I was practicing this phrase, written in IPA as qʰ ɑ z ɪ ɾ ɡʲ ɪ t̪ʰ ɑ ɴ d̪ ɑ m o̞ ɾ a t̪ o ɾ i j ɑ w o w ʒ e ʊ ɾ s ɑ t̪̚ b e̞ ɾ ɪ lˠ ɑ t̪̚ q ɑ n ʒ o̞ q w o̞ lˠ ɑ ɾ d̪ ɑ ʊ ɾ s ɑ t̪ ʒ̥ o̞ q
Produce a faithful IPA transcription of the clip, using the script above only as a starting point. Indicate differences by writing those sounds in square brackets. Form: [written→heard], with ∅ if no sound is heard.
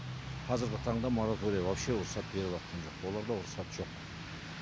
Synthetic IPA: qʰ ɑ z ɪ ɾ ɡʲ ɪ t̪ʰ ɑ ɴ d̪ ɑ m o̞ ɾ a t̪ o ɾ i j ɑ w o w [ʒ→ʃ] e ʊ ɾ s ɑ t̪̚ b e̞ ɾ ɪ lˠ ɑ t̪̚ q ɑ n ʒ o̞ q w o̞ lˠ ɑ ɾ d̪ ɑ ʊ ɾ s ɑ t̪ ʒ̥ o̞ q